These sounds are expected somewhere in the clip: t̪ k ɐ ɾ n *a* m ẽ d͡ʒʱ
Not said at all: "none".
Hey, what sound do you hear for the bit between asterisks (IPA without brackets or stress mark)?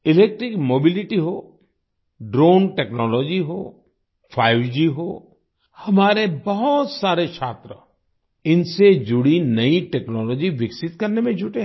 e